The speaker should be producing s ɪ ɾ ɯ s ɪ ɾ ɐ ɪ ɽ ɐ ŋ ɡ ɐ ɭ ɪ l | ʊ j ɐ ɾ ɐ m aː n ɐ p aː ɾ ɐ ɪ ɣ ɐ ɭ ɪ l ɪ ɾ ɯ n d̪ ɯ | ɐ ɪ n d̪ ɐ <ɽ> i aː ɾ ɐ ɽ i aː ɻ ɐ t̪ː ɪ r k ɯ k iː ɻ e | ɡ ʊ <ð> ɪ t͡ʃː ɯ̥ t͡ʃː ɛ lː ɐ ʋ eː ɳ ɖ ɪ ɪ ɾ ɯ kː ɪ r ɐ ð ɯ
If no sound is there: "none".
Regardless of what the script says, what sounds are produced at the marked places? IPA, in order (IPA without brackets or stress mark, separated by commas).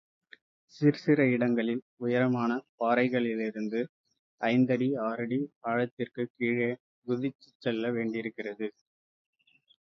ɽ, ð